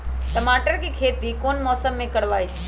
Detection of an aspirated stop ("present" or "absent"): present